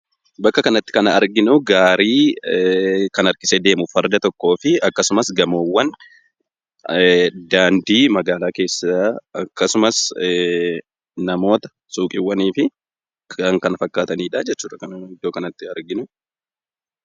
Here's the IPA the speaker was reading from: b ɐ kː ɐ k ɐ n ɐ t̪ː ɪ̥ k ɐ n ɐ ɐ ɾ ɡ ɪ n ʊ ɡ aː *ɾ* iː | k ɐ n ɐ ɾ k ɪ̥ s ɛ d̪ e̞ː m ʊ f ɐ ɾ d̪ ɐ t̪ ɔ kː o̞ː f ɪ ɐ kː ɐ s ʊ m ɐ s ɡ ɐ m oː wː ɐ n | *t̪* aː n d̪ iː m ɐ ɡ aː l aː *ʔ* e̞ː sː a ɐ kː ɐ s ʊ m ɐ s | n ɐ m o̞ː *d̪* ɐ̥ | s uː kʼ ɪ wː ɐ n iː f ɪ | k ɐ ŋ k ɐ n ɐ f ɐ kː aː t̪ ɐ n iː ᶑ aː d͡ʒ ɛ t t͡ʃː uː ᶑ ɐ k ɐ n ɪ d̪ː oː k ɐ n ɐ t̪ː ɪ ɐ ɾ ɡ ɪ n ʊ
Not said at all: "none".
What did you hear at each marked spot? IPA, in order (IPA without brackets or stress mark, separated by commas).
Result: ɾ, d̪, k, t̪